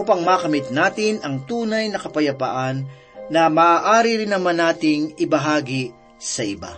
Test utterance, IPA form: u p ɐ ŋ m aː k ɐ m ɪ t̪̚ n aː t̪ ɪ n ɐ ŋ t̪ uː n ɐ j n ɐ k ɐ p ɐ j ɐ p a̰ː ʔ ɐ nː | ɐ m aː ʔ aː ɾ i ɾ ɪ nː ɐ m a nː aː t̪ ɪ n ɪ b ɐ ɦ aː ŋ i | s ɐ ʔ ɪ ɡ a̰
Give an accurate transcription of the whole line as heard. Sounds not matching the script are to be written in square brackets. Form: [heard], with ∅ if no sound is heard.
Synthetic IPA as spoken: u p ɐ ŋ m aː k ɐ m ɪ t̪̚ n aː t̪ ɪ n ɐ ŋ t̪ uː n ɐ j n ɐ k ɐ p ɐ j ɐ p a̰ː ʔ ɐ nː | ɐ m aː ʔ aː ɾ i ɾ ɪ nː ɐ m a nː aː t̪ ɪ [ŋ] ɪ b ɐ ɦ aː [ɡ] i | s ɐ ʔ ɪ [b] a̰